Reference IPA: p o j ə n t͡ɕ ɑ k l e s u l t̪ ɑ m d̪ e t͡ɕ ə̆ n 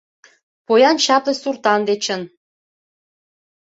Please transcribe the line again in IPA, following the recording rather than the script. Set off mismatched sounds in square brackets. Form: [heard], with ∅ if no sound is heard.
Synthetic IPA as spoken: p o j [ɑ] n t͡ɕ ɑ [p] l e s u [r] t̪ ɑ [n] d̪ e t͡ɕ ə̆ n